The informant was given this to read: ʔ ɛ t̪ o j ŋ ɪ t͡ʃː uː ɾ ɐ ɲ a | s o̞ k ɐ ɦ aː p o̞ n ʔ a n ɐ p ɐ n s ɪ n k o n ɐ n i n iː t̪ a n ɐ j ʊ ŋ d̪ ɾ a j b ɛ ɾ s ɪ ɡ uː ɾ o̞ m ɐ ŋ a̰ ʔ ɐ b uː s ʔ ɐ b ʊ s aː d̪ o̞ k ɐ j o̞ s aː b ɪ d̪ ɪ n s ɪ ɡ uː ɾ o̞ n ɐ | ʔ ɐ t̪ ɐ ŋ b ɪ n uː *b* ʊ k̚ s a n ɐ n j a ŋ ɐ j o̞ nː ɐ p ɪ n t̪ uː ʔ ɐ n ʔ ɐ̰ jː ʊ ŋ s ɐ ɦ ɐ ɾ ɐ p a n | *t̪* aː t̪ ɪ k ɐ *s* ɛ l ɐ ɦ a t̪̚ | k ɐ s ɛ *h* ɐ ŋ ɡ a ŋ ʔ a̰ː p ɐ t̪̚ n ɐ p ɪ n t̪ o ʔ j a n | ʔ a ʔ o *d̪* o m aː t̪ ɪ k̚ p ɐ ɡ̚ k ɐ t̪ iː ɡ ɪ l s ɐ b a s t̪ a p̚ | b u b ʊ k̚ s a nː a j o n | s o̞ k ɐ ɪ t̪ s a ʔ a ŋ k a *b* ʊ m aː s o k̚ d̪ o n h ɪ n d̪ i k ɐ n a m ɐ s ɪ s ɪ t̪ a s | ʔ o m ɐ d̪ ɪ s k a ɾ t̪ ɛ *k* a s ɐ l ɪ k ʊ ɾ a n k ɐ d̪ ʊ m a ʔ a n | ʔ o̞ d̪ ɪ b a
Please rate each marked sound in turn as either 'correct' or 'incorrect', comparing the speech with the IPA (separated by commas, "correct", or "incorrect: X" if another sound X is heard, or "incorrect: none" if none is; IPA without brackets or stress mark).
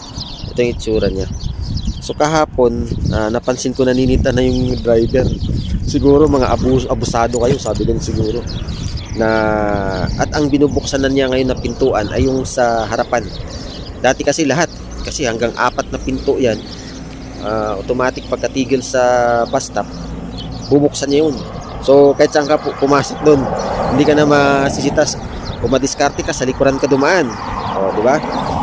correct, incorrect: d̪, correct, correct, incorrect: t̪, incorrect: p, correct